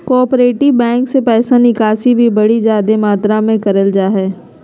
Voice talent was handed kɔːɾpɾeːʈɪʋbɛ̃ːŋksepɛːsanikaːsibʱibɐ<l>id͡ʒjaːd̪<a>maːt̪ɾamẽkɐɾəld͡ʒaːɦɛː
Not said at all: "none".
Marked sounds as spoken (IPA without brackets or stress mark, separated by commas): ɽ, e